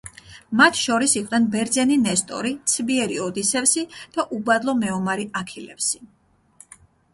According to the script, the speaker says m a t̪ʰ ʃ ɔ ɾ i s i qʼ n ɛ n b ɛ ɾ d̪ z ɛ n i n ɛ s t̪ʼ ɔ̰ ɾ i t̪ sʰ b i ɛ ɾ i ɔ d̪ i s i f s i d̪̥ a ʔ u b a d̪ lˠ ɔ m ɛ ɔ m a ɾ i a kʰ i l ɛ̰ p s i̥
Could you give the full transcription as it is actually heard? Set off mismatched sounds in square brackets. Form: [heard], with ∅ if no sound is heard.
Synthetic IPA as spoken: m a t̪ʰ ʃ ɔ ɾ i s i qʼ n ɛ n b ɛ ɾ d̪ z ɛ n i n ɛ s t̪ʼ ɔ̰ ɾ i t̪ sʰ b i ɛ ɾ i ɔ d̪ i s [ɛ] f s i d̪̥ a ʔ u b a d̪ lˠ ɔ m ɛ ɔ m a ɾ i a kʰ i l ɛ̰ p s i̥